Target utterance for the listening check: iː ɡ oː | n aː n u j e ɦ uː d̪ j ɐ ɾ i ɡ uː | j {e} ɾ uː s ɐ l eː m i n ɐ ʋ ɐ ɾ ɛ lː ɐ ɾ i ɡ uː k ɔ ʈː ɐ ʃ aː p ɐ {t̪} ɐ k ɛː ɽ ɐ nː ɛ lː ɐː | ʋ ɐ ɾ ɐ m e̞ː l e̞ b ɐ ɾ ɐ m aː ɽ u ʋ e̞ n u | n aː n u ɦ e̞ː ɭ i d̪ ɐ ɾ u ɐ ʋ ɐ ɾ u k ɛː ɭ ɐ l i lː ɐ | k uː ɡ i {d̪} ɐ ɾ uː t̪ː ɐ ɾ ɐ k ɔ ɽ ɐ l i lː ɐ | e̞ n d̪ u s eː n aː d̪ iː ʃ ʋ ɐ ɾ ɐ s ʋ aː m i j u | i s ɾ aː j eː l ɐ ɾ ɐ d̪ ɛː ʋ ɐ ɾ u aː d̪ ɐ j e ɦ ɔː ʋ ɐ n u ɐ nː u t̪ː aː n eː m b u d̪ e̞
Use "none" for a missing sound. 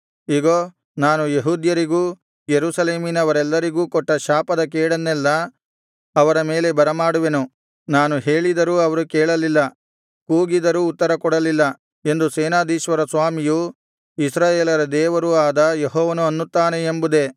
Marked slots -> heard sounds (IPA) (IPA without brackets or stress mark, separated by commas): e, d̪, d̪